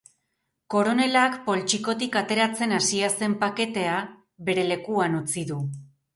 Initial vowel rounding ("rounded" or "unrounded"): rounded